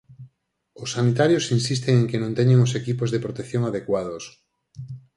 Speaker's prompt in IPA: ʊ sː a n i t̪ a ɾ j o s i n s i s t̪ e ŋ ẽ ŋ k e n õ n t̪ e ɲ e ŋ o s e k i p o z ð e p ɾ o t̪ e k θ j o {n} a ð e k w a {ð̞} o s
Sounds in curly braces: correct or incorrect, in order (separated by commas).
incorrect, correct